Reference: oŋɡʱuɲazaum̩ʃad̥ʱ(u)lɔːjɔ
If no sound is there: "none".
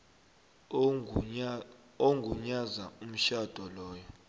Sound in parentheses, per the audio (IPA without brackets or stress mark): ɔ